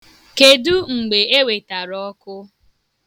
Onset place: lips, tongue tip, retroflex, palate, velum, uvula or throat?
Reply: velum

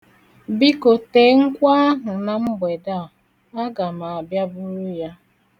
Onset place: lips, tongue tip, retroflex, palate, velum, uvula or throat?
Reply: lips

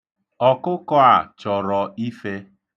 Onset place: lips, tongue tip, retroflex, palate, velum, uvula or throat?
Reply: velum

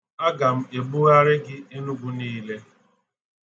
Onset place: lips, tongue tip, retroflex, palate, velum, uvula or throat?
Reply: velum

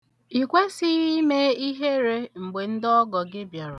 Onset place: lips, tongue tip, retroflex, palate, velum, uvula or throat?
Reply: velum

